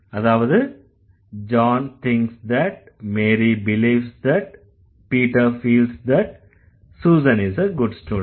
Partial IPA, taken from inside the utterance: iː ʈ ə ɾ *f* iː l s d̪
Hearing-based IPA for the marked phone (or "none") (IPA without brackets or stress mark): f